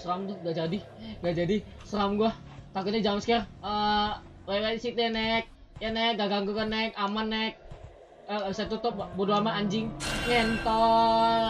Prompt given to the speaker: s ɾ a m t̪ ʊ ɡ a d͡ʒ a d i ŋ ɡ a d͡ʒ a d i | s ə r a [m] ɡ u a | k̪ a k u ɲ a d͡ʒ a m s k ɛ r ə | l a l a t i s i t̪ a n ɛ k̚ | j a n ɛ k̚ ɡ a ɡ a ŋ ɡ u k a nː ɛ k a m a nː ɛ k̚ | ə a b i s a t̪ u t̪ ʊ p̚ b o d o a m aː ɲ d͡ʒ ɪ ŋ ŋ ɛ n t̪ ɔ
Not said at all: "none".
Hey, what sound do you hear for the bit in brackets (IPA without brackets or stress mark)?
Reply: m